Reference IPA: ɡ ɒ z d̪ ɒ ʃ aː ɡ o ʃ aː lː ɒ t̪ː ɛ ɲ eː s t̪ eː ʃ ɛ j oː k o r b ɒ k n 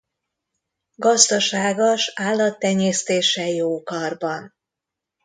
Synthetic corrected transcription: ɡ ɒ z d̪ ɒ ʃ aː ɡ o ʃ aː lː ɒ t̪ː ɛ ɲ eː s t̪ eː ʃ ɛ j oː k ɒ r b ɒ n